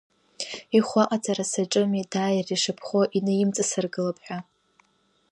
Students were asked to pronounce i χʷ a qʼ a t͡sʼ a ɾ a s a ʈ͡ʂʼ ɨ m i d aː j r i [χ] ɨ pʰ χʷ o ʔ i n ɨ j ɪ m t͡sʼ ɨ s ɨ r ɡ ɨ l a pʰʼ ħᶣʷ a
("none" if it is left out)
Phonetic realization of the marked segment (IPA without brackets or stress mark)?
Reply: ʂ